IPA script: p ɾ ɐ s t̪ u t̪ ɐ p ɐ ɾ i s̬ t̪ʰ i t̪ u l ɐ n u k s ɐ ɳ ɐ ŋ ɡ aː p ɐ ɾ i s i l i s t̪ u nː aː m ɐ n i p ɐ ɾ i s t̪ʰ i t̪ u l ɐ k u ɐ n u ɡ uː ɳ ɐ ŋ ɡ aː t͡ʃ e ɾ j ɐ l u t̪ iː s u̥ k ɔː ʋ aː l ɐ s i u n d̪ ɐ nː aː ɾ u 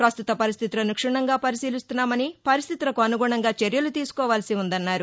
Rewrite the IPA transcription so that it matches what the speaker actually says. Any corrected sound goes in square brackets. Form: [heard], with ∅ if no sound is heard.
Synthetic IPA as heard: p ɾ ɐ s t̪ u t̪ ɐ p ɐ ɾ i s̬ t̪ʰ i t̪ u l ɐ n u k [ʂ] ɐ ɳ ɐ ŋ ɡ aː p ɐ ɾ i s [iː] l i s t̪ u nː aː m ɐ n i p ɐ ɾ i s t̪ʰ i t̪ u l ɐ k u ɐ n u ɡ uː ɳ ɐ ŋ ɡ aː t͡ʃ e ɾ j ɐ l u t̪ iː s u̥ k ɔː ʋ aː l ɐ s i u n d̪ ɐ nː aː ɾ u